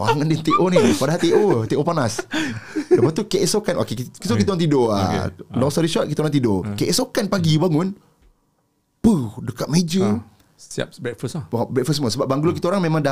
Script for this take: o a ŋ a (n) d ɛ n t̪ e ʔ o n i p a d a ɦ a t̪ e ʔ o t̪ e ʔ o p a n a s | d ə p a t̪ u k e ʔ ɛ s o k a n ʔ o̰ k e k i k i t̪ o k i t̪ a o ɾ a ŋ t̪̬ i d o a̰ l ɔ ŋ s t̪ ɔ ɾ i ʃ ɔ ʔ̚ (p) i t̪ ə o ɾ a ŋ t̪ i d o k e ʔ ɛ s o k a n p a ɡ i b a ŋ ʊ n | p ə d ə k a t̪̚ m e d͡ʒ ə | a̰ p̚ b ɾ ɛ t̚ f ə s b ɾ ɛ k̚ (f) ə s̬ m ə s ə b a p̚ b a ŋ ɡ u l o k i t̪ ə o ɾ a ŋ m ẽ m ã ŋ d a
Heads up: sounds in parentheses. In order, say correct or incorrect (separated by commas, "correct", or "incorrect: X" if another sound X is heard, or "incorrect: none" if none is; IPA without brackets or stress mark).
correct, incorrect: k, correct